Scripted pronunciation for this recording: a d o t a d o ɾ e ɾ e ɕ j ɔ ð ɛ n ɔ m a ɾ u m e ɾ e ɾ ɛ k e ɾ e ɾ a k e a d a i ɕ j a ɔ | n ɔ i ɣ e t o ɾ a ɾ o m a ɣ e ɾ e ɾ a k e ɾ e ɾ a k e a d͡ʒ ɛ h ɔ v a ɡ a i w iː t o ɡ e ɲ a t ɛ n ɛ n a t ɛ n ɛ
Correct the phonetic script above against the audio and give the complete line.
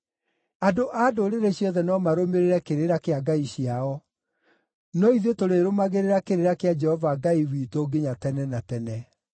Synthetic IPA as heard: a d o ʔ a d o ɾ e ɾ e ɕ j ɔ ð ɛ n ɔ m a ɾ o m e ɾ e ɾ ɛ k e ɾ e ɾ a k e a ɡ a i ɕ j a ɔ | n ɔ i ð e t o ɾ e ɾ o m a ɣ e ɾ e ɾ a k e ɾ e ɾ a k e a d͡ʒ ɛ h ɔ v a ɡ a i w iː t o ɡ e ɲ a t ɛ n ɛ n a t ɛ n ɛ

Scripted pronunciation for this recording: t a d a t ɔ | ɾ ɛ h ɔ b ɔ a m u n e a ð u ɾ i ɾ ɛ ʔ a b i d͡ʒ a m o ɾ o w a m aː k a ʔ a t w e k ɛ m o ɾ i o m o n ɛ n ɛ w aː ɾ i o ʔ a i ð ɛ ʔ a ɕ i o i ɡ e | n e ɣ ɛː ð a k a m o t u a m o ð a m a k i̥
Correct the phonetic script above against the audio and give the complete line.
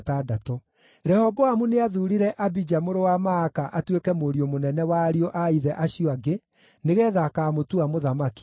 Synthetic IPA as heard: t a d a t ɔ | ɾ ɛ h ɔ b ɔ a m u n e a ð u ɾ i ɾ ɛ ʔ a b i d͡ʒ a m o ɾ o w a m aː k a ʔ a t w e k ɛ m o ɾ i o m o n ɛ n ɛ w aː ɾ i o ʔ a i ð ɛ ʔ a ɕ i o a ɡ e | n e ɣ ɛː ð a k a m o t u a m o ð a m a k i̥

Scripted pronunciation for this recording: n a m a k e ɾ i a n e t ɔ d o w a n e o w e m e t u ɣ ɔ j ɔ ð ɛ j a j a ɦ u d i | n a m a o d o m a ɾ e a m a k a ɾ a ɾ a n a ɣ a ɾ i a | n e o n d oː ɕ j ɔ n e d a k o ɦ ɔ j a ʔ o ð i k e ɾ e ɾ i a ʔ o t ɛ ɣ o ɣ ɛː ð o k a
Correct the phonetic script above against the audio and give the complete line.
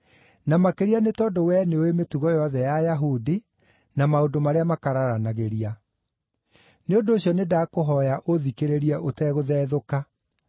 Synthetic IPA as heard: n a m a k e ɾ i a n e t ɔ d o w ɛ n e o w e m e t u ɣ ɔ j ɔ ð ɛ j a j a ɦ u d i | n a m a o d o m a ɾ e a m a k a ɾ a ɾ a n a ɣ e ɾ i a | n e o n d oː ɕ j ɔ n e d a k o ɦ ɔ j a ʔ o ð i k e ɾ e ɾ i ɛ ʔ o t ɛ ɣ o ð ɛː ð o k a

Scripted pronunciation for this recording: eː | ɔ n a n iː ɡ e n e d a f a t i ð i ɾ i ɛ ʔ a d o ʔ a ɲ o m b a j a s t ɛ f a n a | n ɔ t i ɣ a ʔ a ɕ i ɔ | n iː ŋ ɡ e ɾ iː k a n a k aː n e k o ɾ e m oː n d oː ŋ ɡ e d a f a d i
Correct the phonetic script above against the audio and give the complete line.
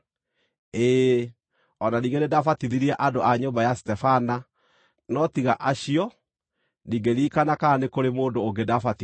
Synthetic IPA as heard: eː | ɔ n a n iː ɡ e n e d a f a t i ð i ɾ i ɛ ʔ a d o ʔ a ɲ o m b a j a s t ɛ f a n a | n ɔ t i ɣ a ʔ a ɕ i ɔ | n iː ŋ ɡ e ɾ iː k a n a k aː n e k o ɾ e m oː n d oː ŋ ɡ e d a f a t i

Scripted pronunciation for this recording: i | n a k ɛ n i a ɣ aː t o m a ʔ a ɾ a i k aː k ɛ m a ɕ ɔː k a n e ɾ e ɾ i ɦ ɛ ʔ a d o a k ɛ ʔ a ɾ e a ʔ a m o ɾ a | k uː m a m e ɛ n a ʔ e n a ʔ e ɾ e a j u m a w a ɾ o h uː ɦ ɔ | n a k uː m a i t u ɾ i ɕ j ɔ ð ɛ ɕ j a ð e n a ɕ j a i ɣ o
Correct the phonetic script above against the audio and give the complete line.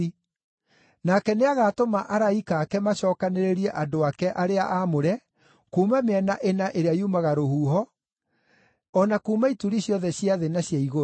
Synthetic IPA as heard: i | n a k ɛ n e a ɣ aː t o m a ʔ a ɾ a i k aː k ɛ m a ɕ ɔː k a n e ɾ e ɾ i ɛ ʔ a d o a k ɛ ʔ a ɾ e a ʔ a m o ɾ ɛ | k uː m a m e ɛ n a ʔ e n a ʔ e ɾ e a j u m a ɣ a ɾ o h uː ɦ ɔ | n a k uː m a i t u ɾ i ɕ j ɔ ð ɛ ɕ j a ð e n a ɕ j a i ɣ o

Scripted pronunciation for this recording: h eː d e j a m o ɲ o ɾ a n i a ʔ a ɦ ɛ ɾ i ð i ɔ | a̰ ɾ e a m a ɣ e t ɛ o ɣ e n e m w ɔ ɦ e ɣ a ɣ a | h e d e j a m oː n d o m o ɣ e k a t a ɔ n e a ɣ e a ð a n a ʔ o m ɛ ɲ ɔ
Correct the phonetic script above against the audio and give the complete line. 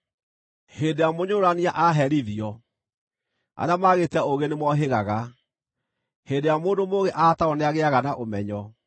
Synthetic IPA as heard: h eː d e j a m o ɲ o ɾ a n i a ʔ a ɦ ɛ ɾ i ð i ɔ | a̰ ɾ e a m a ɣ e t ɛ o ɣ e n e m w ɔ ɦ e ɣ a ɣ a | h e d e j a m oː n d o m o ɣ e ʔ a t a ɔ n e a ɣ e a ɣ a n a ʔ o m ɛ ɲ ɔ

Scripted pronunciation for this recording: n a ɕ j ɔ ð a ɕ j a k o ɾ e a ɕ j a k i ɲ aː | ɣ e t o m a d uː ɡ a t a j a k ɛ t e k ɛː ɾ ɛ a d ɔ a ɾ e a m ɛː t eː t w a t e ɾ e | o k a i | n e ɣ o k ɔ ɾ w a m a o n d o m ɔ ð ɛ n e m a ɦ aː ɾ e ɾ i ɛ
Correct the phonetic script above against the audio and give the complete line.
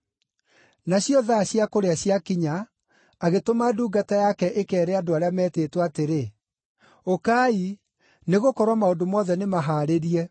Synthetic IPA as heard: n a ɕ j ɔ ð a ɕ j a k o ɾ e a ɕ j a k i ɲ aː | ɣ e t o m a d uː ɡ a t a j a k ɛ ʔ e k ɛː ɾ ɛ a d o a ɾ e a m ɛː t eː t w a t e ɾ e | o k a i | n e ɣ o k ɔ ɾ w a m a o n d o m ɔ ð ɛ n e m a ɦ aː ɾ e ɾ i ɛ

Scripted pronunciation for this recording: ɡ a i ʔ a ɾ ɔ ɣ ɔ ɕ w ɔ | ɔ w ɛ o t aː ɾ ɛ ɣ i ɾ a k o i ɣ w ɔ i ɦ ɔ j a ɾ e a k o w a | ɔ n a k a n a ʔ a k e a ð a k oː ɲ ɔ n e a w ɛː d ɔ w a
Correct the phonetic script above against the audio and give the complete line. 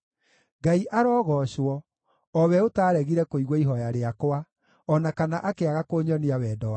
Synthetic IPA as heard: ɡ a i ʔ a ɾ ɔ ɣ ɔ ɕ w ɔ | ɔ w ɛ o t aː ɾ ɛ ɣ i ɾ ɛ k o i ɣ w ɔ i ɦ ɔ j a ɾ e a k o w a | ɔ n a k a n a ʔ a k e a ɣ a k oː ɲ ɔ n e a w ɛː d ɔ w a

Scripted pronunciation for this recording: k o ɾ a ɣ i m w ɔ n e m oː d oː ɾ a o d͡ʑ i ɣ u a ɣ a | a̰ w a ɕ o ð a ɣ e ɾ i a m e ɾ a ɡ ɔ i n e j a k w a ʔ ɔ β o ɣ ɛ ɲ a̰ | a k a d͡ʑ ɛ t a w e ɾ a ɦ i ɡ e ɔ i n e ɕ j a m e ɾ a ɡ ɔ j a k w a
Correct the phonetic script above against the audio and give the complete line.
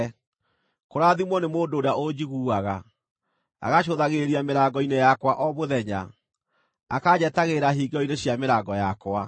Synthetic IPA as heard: k o ɾ a ð i m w ɔ n e m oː d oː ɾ a o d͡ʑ i ɣ u a ɣ a | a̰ ɣ a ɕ o ð a ɣ e ɾ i a m e ɾ a ɡ ɔ i n e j a k w a ʔ ɔ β o ð ɛ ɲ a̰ | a k a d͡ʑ ɛ t a ɣ e ɾ a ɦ i ɡ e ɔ i n e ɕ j a m e ɾ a ɡ ɔ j a k w a

